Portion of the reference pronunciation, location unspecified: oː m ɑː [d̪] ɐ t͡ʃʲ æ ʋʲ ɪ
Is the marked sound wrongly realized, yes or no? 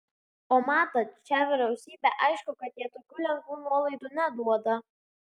yes